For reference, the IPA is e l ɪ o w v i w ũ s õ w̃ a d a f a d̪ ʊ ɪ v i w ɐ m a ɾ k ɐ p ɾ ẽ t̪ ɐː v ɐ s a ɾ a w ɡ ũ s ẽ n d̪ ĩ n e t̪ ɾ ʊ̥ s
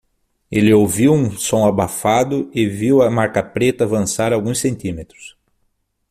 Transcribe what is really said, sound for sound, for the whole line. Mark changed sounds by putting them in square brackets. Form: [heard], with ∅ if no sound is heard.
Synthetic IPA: e l ɪ o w v i w ũ s õ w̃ a [b] a f a d̪ ʊ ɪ v i w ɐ m a ɾ k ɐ p ɾ [e] t̪ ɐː v [ɐ̃] s a ɾ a w ɡ ũ s ẽ n [t̪] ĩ [m] e t̪ ɾ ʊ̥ s